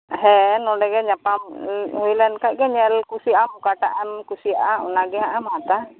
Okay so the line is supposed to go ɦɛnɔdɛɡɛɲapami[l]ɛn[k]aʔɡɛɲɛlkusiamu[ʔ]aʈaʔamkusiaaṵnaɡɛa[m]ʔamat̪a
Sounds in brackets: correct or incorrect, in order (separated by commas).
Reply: correct, correct, incorrect, incorrect